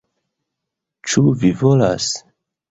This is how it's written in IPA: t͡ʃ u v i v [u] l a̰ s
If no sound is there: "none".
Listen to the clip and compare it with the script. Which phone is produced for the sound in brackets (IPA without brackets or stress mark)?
o